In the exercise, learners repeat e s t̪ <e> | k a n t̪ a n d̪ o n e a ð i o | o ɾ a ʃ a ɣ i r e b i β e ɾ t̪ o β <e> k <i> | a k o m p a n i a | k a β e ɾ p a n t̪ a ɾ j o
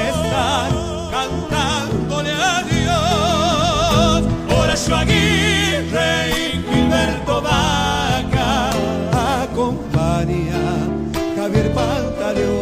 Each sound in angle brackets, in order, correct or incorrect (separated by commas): incorrect, incorrect, incorrect